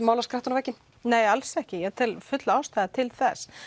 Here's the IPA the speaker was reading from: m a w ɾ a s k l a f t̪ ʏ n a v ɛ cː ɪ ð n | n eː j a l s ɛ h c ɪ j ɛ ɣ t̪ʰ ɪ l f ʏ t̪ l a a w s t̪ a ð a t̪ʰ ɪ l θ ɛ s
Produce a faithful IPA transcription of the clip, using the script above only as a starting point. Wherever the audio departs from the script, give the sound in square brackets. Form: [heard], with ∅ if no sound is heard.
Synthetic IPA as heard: m a w [l] a s k [ɾ] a [h] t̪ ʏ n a v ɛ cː ɪ [∅] n | n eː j a l s ɛ h c ɪ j ɛ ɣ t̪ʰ ɪ l f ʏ t̪ l a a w s t̪ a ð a t̪ʰ ɪ l θ ɛ s